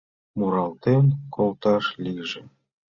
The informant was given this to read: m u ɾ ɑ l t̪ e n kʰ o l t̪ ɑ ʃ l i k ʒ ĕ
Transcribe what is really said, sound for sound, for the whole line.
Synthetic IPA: m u ɾ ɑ l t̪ e m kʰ o l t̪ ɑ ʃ l i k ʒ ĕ